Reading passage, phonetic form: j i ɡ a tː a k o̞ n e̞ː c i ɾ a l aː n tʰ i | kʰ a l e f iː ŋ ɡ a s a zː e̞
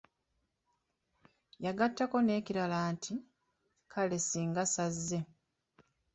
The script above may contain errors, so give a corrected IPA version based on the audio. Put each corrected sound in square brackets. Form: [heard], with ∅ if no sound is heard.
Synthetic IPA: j [a] ɡ a tː a k o̞ n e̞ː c i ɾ a l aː n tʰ i | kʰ a l e [s] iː ŋ ɡ a s a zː e̞